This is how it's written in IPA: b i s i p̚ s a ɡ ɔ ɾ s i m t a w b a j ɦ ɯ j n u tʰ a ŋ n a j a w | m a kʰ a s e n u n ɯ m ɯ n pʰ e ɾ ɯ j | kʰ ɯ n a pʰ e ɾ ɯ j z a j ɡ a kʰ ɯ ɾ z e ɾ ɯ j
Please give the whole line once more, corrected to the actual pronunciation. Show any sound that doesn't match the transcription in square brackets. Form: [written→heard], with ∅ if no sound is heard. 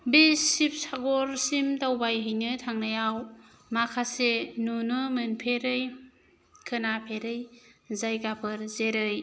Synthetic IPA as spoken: b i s i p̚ s a ɡ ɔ ɾ s i m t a w b a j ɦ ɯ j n [u→ɯ] tʰ a ŋ n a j a w | m a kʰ a s e n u n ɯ m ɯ n pʰ e ɾ ɯ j | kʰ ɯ n a pʰ e ɾ ɯ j z a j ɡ a [kʰ→pʰ] ɯ ɾ z e ɾ ɯ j

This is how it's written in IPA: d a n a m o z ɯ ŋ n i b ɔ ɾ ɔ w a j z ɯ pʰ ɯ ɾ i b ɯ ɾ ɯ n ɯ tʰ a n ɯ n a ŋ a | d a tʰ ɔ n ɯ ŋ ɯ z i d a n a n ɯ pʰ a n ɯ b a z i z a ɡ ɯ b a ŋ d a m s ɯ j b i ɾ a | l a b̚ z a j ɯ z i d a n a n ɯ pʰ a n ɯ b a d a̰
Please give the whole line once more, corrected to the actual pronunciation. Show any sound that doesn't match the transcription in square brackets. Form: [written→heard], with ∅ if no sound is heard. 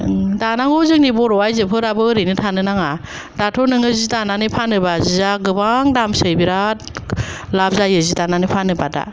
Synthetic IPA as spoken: d a n a [m→ŋ] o z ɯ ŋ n i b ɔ ɾ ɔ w a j z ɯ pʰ ɯ ɾ [i→a] b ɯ ɾ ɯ n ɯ tʰ a n ɯ n a ŋ a | d a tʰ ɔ n ɯ ŋ ɯ z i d a n a n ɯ pʰ a n ɯ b a z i z a ɡ ɯ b a ŋ d a m s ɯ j b i ɾ a | l a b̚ z a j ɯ z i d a n a n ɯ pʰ a n ɯ b a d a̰

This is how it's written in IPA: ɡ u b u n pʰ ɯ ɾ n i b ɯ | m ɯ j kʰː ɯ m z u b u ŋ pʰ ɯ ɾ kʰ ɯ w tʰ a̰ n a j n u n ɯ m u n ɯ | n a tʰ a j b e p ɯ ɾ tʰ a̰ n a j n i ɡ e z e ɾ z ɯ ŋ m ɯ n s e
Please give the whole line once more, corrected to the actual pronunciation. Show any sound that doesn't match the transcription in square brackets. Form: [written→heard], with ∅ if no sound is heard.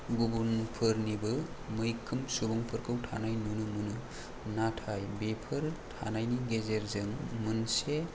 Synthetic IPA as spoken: ɡ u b u n pʰ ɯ ɾ n i b ɯ | m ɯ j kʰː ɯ m [z→s] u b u ŋ pʰ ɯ ɾ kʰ ɯ w tʰ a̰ n a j n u n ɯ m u n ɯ | n a tʰ a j b e [p→pʰ] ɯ ɾ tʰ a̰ n a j n i ɡ e z e ɾ z ɯ ŋ m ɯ n s e

